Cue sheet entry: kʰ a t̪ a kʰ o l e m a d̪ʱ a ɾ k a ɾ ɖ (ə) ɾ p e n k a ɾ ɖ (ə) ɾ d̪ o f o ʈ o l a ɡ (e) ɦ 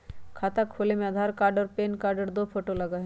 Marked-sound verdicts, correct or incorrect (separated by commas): correct, correct, incorrect